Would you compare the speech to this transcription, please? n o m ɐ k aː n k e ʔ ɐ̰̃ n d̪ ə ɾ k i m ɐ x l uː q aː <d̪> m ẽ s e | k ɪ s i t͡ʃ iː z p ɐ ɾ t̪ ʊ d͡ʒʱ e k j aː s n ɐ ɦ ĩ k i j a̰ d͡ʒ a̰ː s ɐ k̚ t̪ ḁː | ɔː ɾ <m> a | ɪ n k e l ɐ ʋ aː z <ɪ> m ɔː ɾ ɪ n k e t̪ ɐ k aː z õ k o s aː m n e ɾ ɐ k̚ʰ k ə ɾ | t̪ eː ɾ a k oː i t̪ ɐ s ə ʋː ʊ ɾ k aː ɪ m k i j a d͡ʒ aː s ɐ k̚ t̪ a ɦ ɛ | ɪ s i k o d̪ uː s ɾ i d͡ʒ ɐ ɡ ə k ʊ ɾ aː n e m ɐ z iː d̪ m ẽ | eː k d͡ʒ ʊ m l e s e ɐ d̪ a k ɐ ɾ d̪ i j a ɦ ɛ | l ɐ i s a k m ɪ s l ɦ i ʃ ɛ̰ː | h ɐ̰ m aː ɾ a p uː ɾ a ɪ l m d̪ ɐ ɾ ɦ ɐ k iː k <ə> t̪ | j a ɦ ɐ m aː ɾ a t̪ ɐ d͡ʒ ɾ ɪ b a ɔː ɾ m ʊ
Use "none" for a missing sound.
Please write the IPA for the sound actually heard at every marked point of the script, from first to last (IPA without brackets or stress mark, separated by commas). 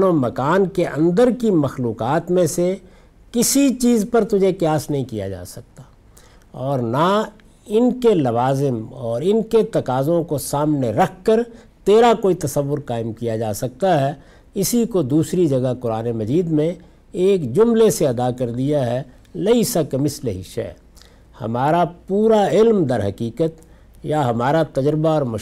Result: t̪, n, ɪ, ə